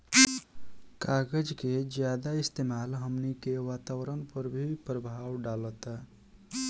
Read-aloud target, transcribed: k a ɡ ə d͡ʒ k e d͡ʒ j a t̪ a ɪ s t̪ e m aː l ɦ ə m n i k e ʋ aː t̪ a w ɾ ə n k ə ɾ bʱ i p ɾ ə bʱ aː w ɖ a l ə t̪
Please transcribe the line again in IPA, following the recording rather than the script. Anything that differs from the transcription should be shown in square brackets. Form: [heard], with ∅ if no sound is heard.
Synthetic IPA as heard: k a ɡ ə d͡ʒ k e d͡ʒ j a [d̪] a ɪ s t̪ e m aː l ɦ ə m n i k e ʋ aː t̪ a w ɾ ə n [p] ə ɾ bʱ i p ɾ ə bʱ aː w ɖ a l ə t̪

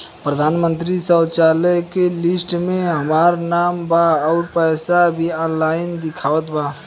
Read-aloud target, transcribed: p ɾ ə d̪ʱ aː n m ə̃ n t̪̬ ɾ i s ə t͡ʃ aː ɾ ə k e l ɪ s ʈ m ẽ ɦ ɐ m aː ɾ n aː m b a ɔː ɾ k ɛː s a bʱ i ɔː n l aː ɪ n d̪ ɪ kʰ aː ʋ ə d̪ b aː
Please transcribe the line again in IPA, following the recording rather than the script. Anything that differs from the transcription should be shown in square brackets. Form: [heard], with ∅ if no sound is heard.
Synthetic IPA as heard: p ɾ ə d̪ʱ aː n m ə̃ n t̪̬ ɾ i s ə t͡ʃ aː [l] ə k e l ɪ s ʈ m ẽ ɦ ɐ m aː ɾ n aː m b a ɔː ɾ [p] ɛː s a bʱ i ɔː n l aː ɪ n d̪ ɪ kʰ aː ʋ ə [t̪] b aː

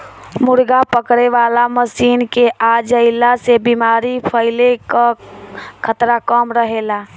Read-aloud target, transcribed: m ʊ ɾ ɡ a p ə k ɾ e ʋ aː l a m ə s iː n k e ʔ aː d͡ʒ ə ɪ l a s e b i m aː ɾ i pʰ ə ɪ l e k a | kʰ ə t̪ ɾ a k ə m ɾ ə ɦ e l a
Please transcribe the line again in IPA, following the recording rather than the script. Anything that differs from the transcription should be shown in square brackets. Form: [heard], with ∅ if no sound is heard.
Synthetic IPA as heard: m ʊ ɾ ɡ a p ə k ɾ e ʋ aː l a m ə s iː n k e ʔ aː d͡ʒ ə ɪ l a s e b i m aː ɾ i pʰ ə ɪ l e k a | kʰ ə t̪ ɾ a k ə m ɾ ə ɦ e l a

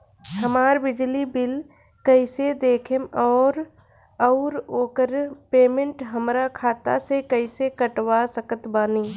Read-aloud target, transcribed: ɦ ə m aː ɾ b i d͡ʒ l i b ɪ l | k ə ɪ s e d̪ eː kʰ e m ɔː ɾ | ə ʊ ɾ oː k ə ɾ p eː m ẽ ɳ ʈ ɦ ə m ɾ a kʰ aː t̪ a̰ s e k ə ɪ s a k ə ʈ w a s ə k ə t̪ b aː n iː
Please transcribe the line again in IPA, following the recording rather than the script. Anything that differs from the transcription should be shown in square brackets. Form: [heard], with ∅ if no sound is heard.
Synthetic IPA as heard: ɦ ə m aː ɾ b [ɪ] d͡ʒ l i b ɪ l | k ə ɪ s e d̪ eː kʰ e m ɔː ɾ | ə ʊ ɾ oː k ə ɾ p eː m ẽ ɳ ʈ ɦ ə m ɾ a kʰ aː t̪ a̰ s e k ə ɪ s [e] k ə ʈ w a s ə k ə t̪ b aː n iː

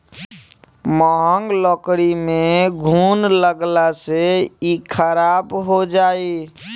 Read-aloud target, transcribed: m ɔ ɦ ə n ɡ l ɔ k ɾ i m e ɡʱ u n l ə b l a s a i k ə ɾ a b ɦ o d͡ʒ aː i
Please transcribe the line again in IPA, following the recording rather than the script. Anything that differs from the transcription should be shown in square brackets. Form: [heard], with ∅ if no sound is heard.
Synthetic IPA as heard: m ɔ ɦ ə [ŋ] ɡ l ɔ k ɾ i m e ɡʱ u n l ə [ɡ] l a s [e] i [kʰ] ə ɾ a b ɦ o d͡ʒ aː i

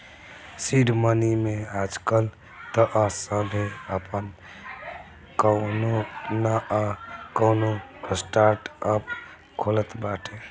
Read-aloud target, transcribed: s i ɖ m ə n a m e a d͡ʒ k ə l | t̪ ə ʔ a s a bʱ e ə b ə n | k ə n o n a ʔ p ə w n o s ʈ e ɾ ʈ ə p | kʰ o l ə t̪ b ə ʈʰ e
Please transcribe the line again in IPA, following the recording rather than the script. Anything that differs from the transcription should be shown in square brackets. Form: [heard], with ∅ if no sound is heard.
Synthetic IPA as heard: s i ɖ m ə n [i] m e a d͡ʒ k ə l | t̪ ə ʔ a s [ə] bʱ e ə [p] ə n | k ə n o n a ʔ [k] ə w n o s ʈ [a] ɾ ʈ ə p | kʰ o l ə t̪ b [a] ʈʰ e

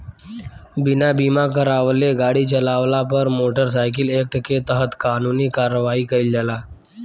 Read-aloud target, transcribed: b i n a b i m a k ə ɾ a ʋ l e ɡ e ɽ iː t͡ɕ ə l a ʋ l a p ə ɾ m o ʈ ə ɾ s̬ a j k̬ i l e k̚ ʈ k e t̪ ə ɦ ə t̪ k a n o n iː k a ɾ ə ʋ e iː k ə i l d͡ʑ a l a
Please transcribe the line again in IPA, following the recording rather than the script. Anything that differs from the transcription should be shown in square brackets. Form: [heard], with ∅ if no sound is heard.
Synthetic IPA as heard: b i n a b i m a k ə ɾ a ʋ l e ɡ [a] ɽ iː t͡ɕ ə l a ʋ l a p ə ɾ m o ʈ ə ɾ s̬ a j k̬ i l e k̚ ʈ k e t̪ ə ɦ ə t̪ k a n [u] n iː k a ɾ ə ʋ [a] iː k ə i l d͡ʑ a l a

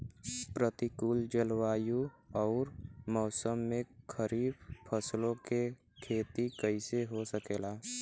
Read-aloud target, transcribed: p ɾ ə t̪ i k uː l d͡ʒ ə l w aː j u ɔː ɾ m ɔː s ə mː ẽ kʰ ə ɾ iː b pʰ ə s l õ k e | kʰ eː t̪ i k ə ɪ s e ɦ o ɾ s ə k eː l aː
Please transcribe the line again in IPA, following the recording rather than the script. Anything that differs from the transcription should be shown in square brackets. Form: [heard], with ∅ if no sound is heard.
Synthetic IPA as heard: p ɾ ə t̪ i k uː l d͡ʒ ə l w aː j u ɔː ɾ m ɔː s ə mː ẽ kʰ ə ɾ iː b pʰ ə s l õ k e | kʰ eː t̪ i k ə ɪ s e ɦ o [∅] s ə k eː l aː

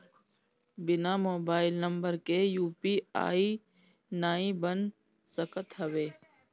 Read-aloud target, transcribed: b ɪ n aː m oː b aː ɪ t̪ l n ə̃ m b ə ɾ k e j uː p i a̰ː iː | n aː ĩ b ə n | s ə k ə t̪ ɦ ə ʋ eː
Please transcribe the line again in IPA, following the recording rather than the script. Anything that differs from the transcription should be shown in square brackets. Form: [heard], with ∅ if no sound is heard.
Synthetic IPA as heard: b ɪ n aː m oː b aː ɪ [∅] l n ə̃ m b ə ɾ k e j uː p i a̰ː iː | n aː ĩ b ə n | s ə k ə t̪ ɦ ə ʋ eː

